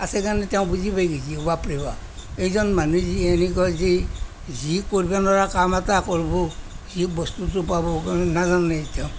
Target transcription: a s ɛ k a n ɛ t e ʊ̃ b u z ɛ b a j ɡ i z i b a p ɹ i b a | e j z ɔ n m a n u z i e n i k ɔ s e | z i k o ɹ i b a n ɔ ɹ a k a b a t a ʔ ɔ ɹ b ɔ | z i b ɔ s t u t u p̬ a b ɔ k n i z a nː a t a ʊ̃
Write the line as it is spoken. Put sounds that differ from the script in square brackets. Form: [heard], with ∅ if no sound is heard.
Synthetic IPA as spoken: a s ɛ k a n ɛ t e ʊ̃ b u z [i] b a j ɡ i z i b a p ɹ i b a | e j z ɔ n m a n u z i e n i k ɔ [z] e | z i k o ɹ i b a n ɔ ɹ a k a [m] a t a [k] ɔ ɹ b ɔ | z i b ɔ s t u t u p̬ a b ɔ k n [a] z a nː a t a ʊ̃